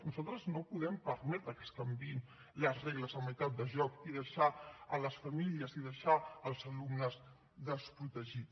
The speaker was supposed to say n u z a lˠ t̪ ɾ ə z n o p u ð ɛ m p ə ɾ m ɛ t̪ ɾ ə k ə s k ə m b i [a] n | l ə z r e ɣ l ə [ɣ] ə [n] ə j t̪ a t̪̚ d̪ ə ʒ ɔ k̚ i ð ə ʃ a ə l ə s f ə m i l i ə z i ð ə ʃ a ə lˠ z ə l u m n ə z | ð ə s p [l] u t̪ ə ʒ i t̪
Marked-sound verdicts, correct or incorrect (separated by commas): incorrect, incorrect, incorrect, incorrect